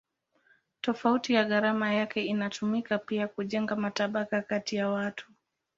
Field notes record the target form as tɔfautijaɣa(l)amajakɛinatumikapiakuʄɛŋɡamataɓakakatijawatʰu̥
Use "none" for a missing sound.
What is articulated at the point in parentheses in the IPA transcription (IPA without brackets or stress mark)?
ɾ